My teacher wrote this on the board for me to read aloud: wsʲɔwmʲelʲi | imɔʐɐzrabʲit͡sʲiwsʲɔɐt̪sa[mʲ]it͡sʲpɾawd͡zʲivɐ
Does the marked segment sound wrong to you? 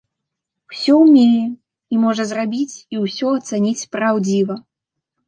yes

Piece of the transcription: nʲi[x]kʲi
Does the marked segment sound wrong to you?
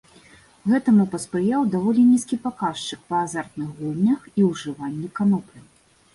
yes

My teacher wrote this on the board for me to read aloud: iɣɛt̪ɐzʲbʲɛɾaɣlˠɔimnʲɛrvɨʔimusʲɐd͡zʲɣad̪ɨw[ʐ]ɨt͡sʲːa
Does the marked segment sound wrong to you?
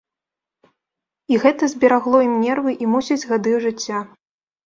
no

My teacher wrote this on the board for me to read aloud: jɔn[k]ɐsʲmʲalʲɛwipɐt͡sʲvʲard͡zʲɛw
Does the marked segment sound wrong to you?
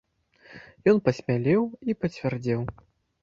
yes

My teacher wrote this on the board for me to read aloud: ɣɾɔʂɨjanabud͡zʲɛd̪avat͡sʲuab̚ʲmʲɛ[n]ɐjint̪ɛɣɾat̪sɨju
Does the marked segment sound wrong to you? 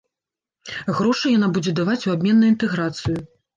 yes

